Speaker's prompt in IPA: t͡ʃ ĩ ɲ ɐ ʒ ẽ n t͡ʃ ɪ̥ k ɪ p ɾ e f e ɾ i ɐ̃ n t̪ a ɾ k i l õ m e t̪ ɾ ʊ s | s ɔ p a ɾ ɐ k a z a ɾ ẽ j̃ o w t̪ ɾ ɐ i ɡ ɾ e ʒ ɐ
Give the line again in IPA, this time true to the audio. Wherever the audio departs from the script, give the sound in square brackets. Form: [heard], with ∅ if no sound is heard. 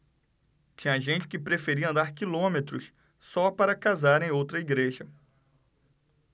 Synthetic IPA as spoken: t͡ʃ ĩ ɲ ɐ ʒ ẽ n t͡ʃ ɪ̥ k ɪ p ɾ e f e ɾ i ɐ̃ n [d̪] a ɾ k i l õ m e t̪ ɾ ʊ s | s ɔ p a ɾ ɐ k a z a ɾ ẽ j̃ o w t̪ ɾ ɐ i ɡ ɾ e ʒ ɐ